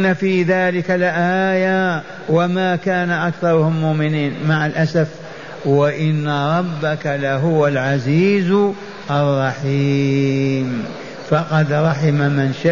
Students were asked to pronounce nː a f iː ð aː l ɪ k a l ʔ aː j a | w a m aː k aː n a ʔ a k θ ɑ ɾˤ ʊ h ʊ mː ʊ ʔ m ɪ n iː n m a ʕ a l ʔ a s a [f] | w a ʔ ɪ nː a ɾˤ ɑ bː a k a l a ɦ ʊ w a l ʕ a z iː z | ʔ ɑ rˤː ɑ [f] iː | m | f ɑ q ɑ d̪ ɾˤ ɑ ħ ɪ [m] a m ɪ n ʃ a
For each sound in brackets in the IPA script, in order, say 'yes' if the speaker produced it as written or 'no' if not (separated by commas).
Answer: yes, no, yes